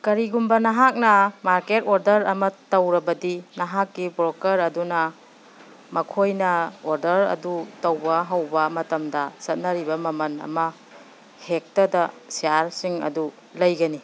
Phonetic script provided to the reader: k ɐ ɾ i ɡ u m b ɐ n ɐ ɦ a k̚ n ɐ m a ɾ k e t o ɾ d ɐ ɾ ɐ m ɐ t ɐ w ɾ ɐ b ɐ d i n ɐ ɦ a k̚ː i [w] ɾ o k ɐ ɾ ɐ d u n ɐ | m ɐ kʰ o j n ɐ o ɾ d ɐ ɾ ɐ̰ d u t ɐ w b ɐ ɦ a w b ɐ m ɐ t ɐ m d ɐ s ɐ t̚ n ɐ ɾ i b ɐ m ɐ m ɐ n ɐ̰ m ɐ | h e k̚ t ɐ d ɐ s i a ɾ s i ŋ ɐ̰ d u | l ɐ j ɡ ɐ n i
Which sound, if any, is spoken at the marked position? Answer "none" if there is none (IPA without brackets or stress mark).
b